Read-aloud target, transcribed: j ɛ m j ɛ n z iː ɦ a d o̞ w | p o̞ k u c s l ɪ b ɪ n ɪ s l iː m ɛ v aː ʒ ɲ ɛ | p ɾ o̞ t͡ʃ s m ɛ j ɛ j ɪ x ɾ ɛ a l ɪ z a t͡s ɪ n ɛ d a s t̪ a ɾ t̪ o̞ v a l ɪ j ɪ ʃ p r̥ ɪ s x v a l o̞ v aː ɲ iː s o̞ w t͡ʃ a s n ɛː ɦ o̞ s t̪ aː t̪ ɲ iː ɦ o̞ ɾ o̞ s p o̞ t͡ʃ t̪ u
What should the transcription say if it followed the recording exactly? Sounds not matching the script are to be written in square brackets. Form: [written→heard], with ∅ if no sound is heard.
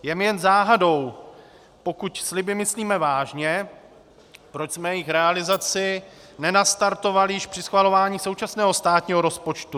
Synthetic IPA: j ɛ m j ɛ n z [iː→aː] ɦ a d o̞ w | p o̞ k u c s l ɪ b ɪ [n→m] ɪ s l iː m ɛ v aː ʒ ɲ ɛ | p ɾ o̞ t͡ʃ s m ɛ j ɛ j ɪ x ɾ ɛ a l ɪ z a t͡s ɪ n ɛ [d→n] a s t̪ a ɾ t̪ o̞ v a l ɪ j ɪ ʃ p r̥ ɪ s x v a l o̞ v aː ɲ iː s o̞ w t͡ʃ a s n ɛː ɦ o̞ s t̪ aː t̪ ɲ iː ɦ o̞ ɾ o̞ s p o̞ t͡ʃ t̪ u